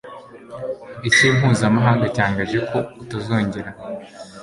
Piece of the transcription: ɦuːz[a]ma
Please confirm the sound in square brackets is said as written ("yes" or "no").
yes